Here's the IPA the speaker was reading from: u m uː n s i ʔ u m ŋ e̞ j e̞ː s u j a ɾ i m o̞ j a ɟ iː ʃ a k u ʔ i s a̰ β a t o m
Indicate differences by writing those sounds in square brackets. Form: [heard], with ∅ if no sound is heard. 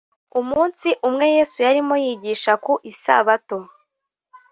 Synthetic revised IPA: u m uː n s i ʔ u m ŋ e̞ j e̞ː s u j a ɾ i m o̞ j [i] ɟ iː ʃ a k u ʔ i s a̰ β a t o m